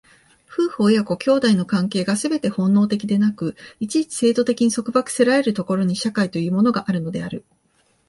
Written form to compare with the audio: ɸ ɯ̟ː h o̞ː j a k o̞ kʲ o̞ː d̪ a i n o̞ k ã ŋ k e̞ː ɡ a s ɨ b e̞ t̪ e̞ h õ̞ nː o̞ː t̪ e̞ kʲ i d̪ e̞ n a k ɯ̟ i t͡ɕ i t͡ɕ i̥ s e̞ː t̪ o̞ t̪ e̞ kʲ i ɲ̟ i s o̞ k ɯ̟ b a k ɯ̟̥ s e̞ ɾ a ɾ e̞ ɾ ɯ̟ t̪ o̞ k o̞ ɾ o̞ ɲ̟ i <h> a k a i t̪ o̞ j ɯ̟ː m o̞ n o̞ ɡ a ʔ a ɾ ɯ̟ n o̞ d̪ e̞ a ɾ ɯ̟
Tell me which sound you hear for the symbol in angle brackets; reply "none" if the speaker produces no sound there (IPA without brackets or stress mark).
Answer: ɕ